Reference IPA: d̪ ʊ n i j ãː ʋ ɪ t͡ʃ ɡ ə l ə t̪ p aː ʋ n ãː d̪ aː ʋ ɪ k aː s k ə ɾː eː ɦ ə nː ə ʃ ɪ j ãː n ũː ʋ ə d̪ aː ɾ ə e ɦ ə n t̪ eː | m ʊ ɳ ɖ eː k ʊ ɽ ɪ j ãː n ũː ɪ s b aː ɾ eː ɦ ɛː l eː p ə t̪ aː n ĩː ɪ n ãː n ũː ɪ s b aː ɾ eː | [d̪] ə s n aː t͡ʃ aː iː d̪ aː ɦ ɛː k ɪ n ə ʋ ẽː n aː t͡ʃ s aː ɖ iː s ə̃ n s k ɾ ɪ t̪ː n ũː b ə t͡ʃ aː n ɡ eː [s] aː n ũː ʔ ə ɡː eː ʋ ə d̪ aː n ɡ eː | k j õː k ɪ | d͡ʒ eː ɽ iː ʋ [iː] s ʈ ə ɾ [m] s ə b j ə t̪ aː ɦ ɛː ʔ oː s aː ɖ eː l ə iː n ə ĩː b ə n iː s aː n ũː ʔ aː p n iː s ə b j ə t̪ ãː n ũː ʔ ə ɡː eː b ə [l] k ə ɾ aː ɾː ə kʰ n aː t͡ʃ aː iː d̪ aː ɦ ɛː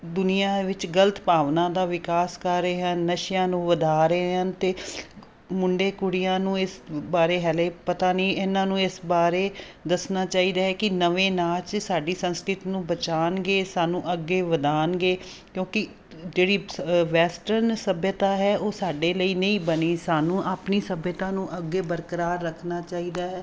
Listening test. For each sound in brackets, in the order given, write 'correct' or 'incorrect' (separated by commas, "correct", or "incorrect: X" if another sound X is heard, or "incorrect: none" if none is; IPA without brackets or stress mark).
correct, correct, incorrect: ɛː, incorrect: n, incorrect: ɾ